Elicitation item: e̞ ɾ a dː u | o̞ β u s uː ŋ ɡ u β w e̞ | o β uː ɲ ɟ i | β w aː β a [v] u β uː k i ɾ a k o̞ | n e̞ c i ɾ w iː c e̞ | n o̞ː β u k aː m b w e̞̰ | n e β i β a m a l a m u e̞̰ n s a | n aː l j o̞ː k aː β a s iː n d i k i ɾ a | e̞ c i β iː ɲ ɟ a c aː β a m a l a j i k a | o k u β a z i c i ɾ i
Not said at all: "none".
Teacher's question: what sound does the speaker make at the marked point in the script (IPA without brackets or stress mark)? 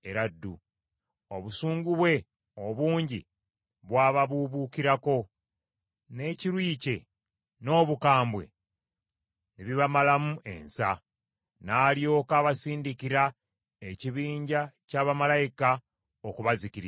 β